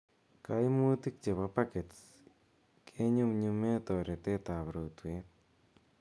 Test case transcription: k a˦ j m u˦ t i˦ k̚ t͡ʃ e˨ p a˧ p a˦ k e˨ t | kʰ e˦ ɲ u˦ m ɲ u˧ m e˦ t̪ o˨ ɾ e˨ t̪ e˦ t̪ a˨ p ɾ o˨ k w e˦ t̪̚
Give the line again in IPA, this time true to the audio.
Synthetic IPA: k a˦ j m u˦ t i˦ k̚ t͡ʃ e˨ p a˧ p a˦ k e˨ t | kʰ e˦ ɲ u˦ m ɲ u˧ m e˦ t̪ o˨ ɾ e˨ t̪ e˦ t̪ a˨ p ɾ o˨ t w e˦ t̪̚